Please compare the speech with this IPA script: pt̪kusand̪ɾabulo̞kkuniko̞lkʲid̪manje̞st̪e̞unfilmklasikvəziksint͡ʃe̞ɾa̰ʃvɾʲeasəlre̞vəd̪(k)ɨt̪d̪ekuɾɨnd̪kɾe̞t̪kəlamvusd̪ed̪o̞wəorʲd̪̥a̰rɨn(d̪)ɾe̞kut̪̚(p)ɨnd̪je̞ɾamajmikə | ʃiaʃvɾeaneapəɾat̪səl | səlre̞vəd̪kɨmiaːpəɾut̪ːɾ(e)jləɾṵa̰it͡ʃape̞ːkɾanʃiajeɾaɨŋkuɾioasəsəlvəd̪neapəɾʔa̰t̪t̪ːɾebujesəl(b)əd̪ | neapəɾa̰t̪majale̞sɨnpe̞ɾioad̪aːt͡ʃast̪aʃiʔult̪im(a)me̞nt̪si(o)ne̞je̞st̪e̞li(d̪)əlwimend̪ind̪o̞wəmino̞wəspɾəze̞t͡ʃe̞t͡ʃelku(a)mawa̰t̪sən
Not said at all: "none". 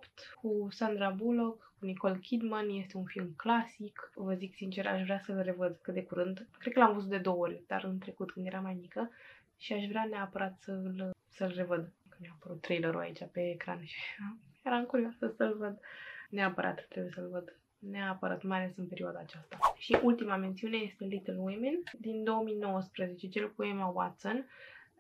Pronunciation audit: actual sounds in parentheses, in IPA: k, t̪, k, e, v, a, u, t̪, e

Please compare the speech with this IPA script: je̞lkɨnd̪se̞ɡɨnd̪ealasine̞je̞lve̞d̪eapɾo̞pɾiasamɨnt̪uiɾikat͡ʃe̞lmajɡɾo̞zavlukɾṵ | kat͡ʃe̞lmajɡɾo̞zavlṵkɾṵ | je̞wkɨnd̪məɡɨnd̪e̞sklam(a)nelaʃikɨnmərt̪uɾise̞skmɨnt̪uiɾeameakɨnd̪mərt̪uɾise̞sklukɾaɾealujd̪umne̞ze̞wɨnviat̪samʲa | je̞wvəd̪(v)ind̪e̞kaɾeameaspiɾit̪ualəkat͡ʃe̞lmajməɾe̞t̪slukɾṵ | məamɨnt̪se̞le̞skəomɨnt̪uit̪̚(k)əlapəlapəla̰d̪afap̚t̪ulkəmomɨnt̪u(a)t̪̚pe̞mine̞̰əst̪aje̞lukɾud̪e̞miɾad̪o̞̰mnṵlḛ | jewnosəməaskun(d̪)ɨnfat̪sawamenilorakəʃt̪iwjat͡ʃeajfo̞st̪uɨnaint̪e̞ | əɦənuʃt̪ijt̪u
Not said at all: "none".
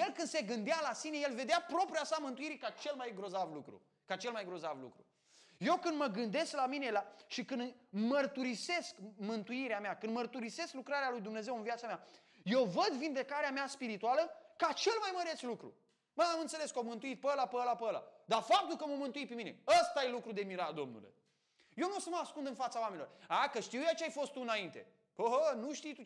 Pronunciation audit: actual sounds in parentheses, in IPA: i, v, p, i, d̪

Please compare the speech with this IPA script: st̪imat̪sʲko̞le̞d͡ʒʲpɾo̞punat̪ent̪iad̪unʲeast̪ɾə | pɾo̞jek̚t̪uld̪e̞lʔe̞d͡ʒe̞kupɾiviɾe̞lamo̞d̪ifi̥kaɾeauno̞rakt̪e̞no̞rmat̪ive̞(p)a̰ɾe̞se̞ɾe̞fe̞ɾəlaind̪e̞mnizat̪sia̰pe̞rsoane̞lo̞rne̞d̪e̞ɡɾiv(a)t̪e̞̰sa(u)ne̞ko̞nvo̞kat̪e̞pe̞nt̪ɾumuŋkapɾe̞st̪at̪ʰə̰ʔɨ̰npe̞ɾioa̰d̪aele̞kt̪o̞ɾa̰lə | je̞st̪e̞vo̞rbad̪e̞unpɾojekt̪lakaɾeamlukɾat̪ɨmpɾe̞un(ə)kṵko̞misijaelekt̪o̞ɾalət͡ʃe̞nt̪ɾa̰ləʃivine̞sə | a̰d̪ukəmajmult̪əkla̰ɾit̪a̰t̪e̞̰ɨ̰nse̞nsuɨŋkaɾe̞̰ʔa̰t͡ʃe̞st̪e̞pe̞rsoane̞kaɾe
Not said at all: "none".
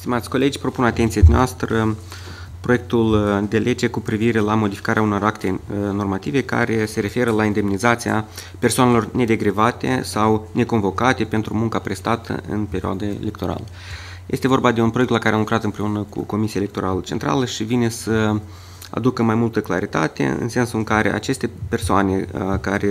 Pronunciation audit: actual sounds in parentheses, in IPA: k, a, w, ə

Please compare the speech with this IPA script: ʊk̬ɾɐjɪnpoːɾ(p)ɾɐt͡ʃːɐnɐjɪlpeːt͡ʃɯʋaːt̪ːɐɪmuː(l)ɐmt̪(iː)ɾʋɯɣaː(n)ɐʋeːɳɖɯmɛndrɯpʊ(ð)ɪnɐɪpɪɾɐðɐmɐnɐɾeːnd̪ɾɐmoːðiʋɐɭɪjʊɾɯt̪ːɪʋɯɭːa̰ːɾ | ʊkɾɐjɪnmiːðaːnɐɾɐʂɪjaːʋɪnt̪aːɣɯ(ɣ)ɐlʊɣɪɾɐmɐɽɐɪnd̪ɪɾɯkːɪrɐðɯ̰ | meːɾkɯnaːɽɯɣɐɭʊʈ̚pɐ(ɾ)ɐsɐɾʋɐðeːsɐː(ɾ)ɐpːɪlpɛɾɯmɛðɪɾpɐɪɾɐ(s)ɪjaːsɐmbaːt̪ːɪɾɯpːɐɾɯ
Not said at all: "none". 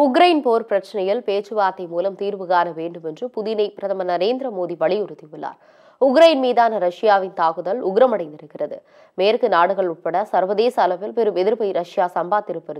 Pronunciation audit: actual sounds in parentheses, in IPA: p, l, iː, n, ð, ð, ɽ, l, ʂ

